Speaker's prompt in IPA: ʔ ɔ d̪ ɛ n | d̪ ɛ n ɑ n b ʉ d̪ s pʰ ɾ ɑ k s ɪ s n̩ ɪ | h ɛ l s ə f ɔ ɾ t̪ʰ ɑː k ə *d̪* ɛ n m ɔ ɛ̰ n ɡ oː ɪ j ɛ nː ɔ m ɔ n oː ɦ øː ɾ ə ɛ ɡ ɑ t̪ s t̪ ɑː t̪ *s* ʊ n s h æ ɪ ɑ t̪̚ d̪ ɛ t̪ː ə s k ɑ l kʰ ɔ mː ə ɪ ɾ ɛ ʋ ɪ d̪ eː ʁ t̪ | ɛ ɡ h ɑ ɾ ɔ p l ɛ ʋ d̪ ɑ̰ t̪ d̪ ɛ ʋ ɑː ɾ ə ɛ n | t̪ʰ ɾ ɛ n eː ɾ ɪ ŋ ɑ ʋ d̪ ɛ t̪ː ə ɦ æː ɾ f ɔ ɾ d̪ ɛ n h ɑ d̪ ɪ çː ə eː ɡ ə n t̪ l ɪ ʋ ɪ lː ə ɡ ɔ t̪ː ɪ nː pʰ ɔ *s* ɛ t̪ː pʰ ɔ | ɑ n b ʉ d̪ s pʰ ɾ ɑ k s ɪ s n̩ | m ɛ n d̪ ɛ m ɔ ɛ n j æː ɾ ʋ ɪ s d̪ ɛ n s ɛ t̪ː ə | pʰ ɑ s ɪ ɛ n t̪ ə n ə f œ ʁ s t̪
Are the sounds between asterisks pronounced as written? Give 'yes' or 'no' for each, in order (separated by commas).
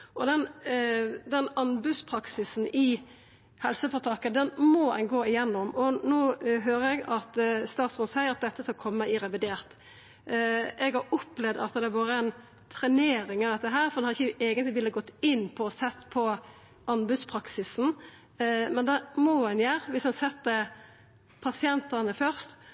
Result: yes, yes, yes